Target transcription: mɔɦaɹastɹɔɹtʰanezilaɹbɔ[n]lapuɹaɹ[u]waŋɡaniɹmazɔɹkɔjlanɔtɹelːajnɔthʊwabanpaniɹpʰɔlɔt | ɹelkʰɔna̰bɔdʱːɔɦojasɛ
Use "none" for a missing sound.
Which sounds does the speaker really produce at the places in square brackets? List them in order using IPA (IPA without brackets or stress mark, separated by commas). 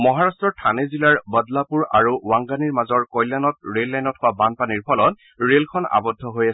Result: d, u